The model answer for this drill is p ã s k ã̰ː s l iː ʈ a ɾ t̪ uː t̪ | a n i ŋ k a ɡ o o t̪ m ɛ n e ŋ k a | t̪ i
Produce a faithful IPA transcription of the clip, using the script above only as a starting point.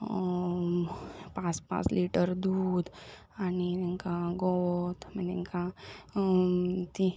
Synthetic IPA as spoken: p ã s p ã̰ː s l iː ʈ ə ɾ d̪ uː d̪ | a n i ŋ k a ɡ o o t̪ m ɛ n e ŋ k a | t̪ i